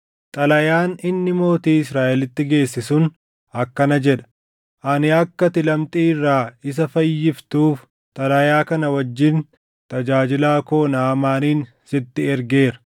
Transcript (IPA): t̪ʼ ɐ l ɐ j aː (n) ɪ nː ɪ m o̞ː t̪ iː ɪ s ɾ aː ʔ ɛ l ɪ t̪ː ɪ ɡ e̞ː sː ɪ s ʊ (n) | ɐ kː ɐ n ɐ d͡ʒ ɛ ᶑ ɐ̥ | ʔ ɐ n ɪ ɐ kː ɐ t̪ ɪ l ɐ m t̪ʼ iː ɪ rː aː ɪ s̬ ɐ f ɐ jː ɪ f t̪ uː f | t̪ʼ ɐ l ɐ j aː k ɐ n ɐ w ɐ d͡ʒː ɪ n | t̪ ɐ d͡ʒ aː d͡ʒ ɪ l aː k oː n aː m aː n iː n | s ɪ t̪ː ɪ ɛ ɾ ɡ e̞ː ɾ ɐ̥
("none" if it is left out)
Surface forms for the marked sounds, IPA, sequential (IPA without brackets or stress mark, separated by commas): n, n